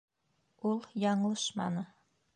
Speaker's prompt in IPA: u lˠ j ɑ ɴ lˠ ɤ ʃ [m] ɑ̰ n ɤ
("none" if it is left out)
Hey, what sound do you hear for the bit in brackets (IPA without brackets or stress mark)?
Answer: m